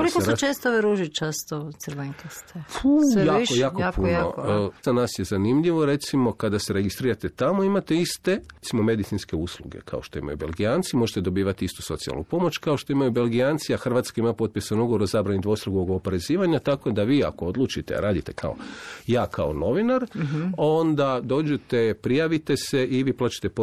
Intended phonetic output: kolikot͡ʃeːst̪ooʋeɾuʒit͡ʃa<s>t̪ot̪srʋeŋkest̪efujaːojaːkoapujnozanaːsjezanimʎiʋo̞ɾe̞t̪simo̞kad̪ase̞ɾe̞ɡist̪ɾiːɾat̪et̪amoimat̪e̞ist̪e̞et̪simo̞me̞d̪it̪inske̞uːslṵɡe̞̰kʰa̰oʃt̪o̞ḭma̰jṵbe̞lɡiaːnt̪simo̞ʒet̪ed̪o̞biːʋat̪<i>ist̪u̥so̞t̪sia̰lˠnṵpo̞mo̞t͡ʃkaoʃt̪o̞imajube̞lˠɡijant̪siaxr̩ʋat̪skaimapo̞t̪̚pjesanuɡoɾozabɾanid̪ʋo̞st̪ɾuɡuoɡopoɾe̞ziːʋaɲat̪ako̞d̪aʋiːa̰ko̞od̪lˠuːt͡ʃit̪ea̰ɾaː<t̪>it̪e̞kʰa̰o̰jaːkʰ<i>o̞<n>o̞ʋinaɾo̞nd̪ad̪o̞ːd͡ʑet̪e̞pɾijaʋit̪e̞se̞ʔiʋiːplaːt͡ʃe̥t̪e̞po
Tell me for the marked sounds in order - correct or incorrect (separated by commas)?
correct, correct, incorrect, incorrect, correct